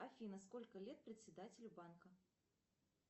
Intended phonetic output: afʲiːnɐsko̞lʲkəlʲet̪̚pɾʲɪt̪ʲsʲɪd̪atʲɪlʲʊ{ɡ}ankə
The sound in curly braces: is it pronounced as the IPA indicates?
no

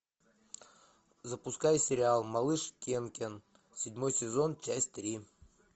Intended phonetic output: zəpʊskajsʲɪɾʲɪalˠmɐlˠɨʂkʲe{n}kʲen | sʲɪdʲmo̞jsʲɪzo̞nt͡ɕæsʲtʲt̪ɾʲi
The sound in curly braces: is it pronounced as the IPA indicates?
yes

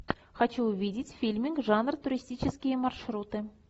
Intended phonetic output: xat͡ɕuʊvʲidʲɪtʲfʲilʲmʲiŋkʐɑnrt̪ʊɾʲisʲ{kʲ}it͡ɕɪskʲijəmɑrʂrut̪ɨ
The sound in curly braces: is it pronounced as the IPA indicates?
no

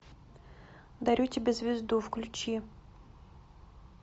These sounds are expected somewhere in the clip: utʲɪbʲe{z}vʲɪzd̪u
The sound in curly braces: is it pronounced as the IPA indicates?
yes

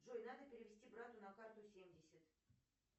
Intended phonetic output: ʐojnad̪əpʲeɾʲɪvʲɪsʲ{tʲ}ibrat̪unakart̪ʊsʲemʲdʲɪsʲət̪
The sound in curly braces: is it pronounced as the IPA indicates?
yes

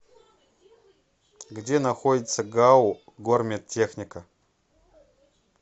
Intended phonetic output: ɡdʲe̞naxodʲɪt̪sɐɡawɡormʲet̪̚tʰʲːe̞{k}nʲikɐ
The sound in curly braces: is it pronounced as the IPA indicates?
no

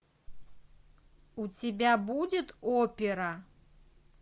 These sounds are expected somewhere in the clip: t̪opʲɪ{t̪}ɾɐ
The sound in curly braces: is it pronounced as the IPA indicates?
no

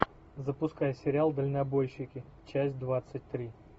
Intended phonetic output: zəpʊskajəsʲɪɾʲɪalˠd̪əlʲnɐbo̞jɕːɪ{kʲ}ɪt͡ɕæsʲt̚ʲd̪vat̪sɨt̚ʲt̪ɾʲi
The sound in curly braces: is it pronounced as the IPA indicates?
yes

